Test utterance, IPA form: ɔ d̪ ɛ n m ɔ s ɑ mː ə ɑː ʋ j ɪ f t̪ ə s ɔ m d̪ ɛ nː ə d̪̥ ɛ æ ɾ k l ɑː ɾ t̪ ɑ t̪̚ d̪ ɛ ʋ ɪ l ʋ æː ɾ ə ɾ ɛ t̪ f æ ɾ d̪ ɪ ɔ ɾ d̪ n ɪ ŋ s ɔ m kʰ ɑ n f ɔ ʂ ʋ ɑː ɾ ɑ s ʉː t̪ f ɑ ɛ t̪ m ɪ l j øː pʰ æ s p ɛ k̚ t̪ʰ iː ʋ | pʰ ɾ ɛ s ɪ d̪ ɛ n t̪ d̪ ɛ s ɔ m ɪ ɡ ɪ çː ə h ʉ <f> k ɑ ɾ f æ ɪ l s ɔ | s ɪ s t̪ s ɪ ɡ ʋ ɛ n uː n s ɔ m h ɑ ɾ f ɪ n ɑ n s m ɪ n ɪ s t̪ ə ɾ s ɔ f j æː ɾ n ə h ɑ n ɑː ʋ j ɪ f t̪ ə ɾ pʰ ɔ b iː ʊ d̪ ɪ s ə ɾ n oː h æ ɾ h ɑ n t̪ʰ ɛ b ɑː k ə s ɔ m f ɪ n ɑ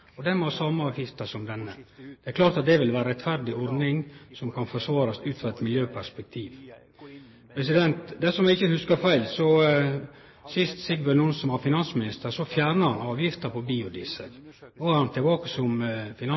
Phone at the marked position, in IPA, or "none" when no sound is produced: s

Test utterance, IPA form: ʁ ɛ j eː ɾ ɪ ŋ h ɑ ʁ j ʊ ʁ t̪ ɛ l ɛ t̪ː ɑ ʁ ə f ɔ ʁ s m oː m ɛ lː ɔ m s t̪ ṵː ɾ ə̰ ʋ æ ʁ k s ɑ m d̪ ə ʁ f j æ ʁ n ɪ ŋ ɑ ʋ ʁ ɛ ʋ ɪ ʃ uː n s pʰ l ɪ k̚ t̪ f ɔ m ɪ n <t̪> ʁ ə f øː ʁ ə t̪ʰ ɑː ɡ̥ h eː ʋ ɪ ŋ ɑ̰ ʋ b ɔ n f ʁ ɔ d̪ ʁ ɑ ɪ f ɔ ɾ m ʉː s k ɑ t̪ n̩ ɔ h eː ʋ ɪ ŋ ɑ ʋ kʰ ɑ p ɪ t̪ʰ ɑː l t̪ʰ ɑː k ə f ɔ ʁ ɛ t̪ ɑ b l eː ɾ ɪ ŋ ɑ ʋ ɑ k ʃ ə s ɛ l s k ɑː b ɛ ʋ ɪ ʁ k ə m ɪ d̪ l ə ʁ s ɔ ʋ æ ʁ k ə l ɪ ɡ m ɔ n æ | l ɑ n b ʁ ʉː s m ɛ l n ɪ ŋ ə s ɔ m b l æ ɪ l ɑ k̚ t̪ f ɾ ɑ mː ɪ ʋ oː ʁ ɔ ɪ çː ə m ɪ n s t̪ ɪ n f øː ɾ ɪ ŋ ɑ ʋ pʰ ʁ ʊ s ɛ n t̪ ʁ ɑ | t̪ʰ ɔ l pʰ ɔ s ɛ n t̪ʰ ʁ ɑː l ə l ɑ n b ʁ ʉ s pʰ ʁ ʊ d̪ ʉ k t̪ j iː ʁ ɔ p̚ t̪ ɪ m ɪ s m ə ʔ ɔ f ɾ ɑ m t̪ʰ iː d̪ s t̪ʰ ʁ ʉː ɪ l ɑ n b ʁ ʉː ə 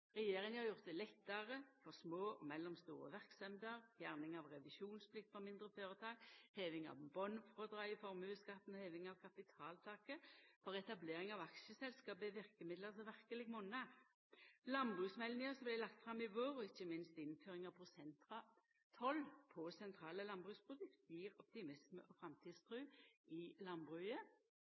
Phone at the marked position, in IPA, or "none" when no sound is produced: d̪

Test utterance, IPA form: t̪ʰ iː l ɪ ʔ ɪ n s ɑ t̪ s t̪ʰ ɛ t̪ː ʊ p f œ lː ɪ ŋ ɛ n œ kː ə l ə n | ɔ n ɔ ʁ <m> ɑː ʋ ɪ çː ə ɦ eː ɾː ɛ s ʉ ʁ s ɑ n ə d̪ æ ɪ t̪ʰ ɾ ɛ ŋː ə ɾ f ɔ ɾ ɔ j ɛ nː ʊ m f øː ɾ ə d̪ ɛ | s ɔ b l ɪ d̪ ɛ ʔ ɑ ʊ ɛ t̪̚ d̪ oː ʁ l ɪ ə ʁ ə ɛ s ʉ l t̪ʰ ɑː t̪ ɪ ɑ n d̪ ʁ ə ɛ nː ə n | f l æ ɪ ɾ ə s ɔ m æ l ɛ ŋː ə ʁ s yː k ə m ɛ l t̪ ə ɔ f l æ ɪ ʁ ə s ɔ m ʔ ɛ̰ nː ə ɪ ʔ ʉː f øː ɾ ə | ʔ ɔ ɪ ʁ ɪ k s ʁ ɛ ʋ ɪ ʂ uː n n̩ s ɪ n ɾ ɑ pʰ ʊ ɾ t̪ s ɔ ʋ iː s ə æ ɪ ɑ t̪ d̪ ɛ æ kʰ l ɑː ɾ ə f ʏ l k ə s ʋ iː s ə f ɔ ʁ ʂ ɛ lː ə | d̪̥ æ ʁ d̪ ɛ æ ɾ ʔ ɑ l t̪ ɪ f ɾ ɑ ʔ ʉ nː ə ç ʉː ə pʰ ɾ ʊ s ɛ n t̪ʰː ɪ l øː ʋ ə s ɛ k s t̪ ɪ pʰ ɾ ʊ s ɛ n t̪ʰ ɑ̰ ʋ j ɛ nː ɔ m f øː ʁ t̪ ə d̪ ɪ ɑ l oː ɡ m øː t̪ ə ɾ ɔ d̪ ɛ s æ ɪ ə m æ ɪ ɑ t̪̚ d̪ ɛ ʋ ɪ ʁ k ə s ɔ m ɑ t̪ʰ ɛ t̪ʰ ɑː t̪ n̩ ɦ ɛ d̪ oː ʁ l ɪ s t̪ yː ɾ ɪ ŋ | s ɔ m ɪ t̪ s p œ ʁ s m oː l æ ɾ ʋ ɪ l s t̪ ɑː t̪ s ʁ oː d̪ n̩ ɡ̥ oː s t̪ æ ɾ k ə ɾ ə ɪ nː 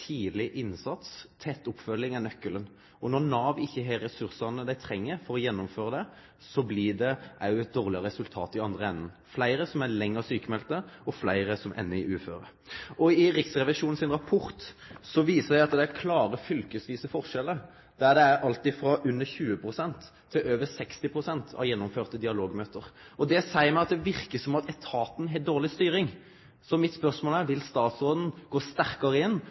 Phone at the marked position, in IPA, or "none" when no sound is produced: n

